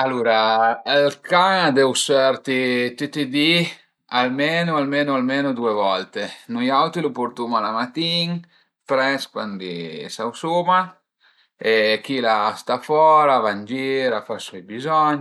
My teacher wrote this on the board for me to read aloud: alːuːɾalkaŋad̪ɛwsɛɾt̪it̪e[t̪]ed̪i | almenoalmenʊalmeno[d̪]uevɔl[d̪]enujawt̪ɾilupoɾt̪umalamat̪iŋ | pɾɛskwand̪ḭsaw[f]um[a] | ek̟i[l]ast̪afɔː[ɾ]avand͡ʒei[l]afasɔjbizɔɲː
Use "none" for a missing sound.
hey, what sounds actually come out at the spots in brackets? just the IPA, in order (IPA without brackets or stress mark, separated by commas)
t̪, d̪, t̪, s, a, l, ɾ, ɾ